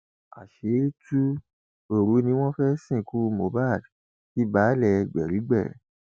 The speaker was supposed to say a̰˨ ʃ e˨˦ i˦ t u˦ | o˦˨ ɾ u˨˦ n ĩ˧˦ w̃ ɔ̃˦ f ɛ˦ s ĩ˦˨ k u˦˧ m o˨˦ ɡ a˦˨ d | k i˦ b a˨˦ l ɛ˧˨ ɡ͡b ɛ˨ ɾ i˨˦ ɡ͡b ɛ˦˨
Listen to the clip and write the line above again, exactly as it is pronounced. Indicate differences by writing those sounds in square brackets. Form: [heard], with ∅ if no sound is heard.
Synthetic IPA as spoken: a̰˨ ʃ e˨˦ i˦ t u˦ | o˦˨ ɾ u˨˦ n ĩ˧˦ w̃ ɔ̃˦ f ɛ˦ s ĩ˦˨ k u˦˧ m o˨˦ [b] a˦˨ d | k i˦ b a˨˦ l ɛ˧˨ ɡ͡b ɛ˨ ɾ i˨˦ ɡ͡b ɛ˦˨